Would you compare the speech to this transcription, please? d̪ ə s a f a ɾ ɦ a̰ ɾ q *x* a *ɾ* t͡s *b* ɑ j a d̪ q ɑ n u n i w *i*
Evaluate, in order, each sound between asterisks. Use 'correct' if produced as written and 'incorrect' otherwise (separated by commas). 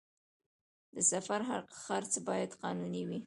correct, correct, correct, correct